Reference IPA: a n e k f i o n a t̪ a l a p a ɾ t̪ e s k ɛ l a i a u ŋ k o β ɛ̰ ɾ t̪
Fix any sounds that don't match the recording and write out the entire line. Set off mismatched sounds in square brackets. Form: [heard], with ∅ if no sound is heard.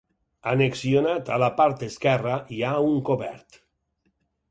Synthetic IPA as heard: a n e k [s] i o n a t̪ a l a p a ɾ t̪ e s k ɛ [r] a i a u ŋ k o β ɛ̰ ɾ t̪

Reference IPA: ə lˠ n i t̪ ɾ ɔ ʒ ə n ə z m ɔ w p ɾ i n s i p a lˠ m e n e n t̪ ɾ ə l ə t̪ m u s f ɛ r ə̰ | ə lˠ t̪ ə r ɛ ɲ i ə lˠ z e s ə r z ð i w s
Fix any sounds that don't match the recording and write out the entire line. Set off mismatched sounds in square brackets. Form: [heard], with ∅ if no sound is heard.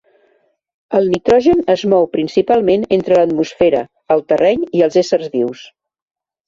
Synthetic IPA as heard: ə lˠ n i t̪ ɾ ɔ ʒ ə n ə z m ɔ w p ɾ i n s i p a lˠ m e n e n t̪ ɾ ə l ə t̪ m u s f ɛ [ɾ] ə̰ | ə lˠ t̪ ə r ɛ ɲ i ə lˠ z e s ə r z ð i w s

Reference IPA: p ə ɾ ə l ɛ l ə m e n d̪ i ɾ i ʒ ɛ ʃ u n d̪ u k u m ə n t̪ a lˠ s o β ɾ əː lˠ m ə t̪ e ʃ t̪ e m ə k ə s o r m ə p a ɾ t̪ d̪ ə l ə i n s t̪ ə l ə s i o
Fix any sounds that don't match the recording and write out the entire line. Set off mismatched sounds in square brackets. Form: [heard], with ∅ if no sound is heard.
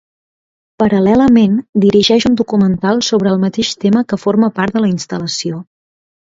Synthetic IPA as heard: p ə ɾ ə l ɛ l ə m e n d̪ i ɾ i ʒ ɛ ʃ u n d̪ u k u m ə n t̪ a lˠ s o β ɾ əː lˠ m ə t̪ e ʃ t̪ e m ə k ə [f] o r m ə p a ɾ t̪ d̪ ə l ə i n s t̪ ə l ə s i o

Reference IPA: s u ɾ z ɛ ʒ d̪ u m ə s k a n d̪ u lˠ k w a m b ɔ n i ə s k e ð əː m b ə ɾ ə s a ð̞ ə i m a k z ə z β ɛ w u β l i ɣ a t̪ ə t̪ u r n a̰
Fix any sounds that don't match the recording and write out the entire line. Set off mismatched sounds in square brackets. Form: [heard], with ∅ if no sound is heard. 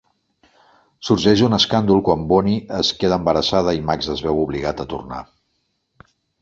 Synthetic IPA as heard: s u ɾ [ʒ] ɛ ʒ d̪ u [n] ə s k a n d̪ u lˠ k w a m b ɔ n i ə s k e ð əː m b ə ɾ ə s a ð̞ ə i m a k z ə z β ɛ w u β l i ɣ a t̪ ə t̪ u r n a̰

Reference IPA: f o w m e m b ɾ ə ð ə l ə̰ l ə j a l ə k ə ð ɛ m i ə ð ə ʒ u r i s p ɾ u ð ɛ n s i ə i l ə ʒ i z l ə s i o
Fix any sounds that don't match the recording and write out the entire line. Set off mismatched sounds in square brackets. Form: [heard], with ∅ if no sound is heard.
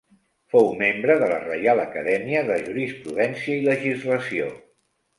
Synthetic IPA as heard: f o w m e m b ɾ ə ð ə l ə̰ [r] ə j a l ə k ə ð ɛ m i ə ð ə ʒ u [ɾ] i s p ɾ u ð ɛ n s i ə i l ə ʒ i z l ə s i o

